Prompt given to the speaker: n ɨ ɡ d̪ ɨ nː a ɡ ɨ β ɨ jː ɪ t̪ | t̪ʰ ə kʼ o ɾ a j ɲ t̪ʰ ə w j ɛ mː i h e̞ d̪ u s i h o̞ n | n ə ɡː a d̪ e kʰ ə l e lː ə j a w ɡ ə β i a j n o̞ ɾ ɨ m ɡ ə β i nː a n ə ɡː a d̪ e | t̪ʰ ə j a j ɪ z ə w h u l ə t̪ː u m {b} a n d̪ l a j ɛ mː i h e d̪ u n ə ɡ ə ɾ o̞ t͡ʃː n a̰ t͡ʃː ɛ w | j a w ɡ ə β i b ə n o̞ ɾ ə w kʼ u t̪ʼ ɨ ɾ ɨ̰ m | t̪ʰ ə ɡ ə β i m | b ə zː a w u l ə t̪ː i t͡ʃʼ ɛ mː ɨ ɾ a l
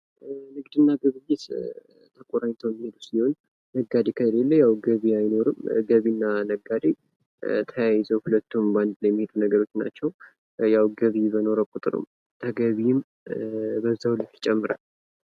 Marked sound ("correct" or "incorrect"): correct